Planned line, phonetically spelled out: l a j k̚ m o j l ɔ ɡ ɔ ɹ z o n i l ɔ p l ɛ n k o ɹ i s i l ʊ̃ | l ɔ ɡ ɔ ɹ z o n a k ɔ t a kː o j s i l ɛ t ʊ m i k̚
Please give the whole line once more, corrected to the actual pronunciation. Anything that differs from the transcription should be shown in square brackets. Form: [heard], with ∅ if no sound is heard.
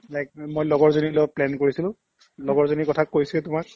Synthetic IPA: l a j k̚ m o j l ɔ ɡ ɔ ɹ z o n i l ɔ p l ɛ n k o ɹ i s i l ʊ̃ | l ɔ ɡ ɔ ɹ z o n [i] k ɔ [tʰ] a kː o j s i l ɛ t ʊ m [a] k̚